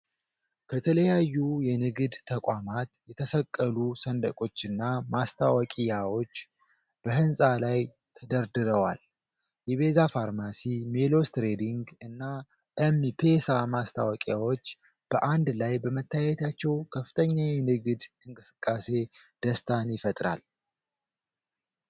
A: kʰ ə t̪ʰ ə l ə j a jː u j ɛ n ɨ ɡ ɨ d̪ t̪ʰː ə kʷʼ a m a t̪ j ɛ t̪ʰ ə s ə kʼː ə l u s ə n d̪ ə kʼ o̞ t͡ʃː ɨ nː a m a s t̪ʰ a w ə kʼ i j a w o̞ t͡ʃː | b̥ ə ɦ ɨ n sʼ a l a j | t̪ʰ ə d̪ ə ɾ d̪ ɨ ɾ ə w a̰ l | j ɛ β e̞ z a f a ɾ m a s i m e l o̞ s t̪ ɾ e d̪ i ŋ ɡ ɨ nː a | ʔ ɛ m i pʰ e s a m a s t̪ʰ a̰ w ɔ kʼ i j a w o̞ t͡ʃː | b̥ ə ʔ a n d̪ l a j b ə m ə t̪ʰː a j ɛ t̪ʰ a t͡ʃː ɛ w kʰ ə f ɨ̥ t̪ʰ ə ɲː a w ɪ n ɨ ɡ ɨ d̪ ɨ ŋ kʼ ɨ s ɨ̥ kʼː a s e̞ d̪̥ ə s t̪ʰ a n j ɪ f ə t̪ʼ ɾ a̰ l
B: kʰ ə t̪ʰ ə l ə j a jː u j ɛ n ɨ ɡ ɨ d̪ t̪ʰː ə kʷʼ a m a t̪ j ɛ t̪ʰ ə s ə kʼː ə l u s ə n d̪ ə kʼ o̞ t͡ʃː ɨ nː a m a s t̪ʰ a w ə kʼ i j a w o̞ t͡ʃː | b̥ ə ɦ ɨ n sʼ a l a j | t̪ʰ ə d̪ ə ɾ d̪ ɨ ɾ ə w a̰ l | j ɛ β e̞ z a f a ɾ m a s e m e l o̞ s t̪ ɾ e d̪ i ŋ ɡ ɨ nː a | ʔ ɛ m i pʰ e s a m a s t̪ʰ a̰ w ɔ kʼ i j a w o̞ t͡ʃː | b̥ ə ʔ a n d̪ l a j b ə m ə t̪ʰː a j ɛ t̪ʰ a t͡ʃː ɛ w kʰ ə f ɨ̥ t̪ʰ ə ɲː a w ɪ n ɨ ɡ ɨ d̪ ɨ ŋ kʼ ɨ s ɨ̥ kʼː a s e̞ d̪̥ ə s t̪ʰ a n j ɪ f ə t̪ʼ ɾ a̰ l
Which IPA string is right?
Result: A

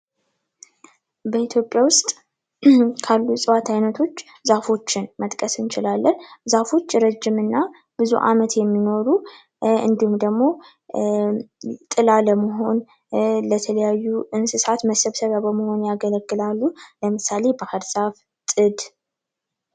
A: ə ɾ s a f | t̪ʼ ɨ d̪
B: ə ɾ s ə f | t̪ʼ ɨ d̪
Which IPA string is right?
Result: A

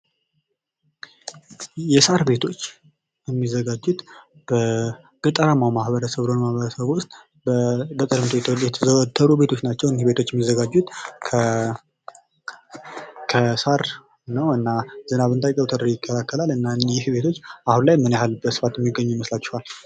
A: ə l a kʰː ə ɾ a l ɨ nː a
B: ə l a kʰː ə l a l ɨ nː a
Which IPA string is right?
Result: B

